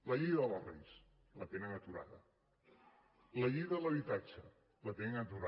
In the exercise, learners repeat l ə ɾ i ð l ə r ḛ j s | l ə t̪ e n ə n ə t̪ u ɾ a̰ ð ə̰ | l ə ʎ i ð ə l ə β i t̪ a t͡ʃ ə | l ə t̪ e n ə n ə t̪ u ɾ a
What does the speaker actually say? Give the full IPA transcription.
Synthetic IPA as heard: l ə ʎ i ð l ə r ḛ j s | l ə t̪ e n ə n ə t̪ u ɾ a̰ ð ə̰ | l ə ʎ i ð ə l ə β i t̪ a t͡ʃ ə | l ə t̪ e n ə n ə t̪ u ɾ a